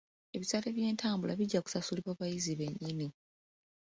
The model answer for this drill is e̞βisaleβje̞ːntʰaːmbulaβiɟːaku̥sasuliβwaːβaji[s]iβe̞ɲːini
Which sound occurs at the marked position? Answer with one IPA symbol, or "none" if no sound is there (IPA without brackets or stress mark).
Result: z